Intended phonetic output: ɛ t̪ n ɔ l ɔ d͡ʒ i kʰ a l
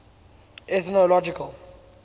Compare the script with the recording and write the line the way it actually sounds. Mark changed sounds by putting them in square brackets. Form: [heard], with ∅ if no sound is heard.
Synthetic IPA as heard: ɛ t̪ n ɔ l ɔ d͡ʒ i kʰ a l